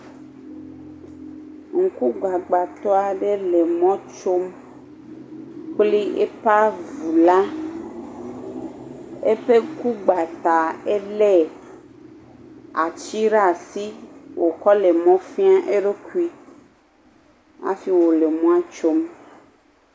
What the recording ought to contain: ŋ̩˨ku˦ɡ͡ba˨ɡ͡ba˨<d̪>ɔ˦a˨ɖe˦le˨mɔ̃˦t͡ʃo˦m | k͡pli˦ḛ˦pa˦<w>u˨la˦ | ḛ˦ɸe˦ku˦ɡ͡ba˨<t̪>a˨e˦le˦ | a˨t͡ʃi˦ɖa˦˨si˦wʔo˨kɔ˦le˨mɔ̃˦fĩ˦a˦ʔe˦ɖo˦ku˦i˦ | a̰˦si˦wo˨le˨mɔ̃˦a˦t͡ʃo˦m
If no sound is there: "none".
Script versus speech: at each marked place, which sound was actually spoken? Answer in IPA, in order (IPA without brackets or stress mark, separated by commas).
t̪, v, t̪